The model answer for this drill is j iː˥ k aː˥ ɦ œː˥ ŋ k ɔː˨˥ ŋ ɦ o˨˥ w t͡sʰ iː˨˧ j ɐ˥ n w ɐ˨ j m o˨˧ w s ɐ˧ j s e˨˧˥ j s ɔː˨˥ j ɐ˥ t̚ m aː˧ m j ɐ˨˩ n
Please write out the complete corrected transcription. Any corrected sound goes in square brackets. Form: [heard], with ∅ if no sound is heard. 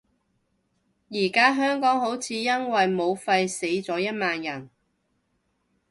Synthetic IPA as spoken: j [iː˨˩] k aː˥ ɦ œː˥ ŋ k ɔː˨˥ ŋ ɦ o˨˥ w t͡sʰ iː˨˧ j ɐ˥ n w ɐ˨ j m o˨˧ w [f] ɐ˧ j s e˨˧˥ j [t͡s] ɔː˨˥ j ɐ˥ t̚ m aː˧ [n] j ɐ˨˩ n